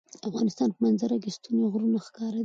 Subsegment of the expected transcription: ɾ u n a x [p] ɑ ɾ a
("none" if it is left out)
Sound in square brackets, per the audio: k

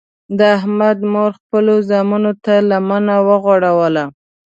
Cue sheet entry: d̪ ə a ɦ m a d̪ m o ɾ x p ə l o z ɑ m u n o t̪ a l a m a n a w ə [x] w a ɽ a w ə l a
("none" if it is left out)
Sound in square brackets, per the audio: ɣ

